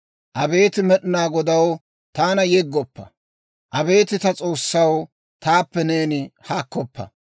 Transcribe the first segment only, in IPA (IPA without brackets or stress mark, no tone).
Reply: ʔ